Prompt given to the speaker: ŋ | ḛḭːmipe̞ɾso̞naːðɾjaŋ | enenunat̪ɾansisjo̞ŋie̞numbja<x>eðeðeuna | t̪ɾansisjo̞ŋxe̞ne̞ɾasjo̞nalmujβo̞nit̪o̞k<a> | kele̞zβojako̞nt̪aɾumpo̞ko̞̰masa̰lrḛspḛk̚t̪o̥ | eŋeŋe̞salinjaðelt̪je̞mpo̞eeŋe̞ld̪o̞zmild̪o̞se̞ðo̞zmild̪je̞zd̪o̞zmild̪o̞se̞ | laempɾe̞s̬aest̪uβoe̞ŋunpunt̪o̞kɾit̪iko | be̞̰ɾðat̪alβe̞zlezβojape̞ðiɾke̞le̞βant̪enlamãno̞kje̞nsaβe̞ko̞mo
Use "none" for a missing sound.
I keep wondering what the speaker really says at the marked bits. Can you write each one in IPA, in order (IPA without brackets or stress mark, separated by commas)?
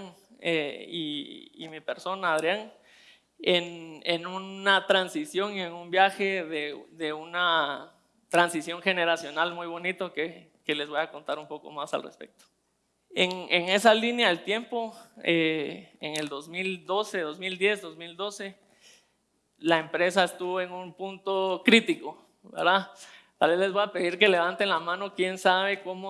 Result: x, e